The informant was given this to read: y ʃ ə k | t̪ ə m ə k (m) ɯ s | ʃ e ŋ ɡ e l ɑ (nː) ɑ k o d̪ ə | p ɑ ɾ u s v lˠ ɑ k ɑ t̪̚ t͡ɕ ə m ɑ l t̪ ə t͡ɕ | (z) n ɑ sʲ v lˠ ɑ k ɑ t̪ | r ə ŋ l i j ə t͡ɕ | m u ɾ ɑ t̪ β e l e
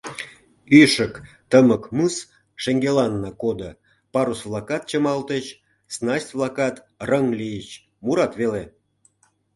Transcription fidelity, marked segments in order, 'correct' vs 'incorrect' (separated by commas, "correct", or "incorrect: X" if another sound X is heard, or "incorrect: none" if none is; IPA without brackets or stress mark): correct, correct, incorrect: s